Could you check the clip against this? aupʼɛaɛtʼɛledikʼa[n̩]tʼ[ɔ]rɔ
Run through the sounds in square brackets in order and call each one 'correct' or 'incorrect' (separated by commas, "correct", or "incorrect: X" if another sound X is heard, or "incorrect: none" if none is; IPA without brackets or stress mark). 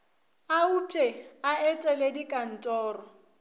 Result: correct, incorrect: ɔː